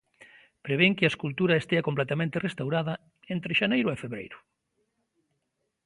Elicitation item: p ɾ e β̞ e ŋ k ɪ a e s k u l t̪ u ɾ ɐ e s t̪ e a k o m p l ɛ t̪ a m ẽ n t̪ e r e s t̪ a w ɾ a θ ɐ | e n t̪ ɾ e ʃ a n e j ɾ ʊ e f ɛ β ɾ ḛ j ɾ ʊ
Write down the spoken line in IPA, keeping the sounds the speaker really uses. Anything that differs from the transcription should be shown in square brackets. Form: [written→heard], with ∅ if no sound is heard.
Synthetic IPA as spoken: p ɾ e β̞ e ŋ k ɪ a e s k u l t̪ u ɾ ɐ e s t̪ e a k o m p l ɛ t̪ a m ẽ n t̪ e r e s t̪ a w ɾ a [θ→ð] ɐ | e n t̪ ɾ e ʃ a n e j ɾ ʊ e f [ɛ→e] β ɾ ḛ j ɾ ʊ